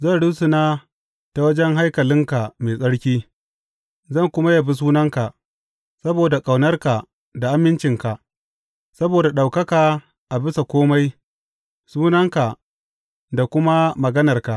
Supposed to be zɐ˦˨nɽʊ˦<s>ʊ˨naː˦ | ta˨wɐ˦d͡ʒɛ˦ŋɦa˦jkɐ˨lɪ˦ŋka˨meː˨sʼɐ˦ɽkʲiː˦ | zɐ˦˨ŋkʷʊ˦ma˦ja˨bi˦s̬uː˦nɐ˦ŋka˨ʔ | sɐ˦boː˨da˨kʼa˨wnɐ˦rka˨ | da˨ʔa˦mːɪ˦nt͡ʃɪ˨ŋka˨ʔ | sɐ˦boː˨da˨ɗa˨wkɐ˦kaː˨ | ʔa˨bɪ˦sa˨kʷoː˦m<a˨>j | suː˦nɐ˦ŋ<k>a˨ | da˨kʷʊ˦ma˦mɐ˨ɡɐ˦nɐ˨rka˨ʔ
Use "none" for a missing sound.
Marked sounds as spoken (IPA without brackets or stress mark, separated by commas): s, a˦, k